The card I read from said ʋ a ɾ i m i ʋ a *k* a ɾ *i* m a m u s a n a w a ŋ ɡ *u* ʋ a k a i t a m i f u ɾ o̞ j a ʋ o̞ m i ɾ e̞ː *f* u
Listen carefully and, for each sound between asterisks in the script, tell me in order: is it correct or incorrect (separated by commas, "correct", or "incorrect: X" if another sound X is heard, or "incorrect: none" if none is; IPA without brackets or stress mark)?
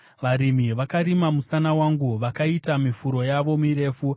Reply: correct, correct, correct, correct